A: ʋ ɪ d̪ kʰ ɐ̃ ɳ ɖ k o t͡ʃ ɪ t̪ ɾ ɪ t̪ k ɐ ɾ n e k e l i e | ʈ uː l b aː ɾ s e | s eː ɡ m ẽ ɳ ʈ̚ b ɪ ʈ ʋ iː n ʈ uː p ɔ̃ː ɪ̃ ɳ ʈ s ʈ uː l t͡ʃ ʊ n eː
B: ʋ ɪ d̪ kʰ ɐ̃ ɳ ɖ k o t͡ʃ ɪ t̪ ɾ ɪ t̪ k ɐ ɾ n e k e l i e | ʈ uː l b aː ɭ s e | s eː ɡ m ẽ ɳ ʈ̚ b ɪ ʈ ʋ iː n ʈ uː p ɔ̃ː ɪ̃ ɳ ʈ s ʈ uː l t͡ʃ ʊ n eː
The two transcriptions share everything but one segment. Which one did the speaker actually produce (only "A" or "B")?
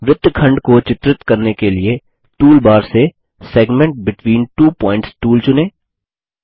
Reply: A